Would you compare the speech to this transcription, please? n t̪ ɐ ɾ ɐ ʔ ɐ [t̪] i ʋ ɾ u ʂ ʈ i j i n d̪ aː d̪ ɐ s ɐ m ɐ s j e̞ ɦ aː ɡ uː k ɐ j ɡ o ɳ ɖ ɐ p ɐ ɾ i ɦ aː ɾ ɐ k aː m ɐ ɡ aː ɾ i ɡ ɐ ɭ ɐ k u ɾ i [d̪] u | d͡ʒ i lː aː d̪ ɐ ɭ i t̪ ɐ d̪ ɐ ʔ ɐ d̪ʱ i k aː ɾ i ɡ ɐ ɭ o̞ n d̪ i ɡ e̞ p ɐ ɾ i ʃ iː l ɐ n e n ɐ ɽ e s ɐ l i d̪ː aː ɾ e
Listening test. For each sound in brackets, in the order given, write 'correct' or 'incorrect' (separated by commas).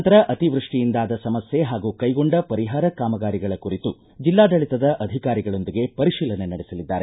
correct, incorrect